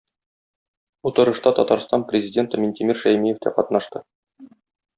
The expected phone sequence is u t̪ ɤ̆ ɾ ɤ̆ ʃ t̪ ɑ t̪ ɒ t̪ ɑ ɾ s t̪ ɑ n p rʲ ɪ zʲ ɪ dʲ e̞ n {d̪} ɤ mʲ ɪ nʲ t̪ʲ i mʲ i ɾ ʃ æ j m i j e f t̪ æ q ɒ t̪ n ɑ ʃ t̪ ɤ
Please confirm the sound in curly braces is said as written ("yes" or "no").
no